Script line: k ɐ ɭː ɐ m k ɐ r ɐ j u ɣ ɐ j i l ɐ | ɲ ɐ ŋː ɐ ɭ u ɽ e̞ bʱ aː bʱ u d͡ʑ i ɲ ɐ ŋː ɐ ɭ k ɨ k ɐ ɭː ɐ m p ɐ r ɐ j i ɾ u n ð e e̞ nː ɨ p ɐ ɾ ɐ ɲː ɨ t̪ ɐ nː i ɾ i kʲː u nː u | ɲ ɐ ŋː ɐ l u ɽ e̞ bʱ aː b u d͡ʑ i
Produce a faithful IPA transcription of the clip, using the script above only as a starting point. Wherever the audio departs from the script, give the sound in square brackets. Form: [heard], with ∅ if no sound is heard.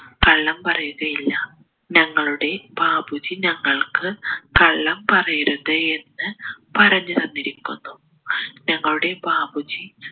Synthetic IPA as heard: k ɐ ɭː ɐ m [p] ɐ r ɐ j u ɣ ɐ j i [lː] ɐ | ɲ ɐ ŋː ɐ ɭ u ɽ e̞ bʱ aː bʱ u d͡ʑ i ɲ ɐ ŋː ɐ ɭ k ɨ k ɐ ɭː ɐ m p ɐ r ɐ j i ɾ u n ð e e̞ nː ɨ p ɐ ɾ ɐ ɲː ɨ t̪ ɐ nː i ɾ i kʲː u nː u | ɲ ɐ ŋː ɐ [ɭ] u ɽ e̞ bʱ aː b u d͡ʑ i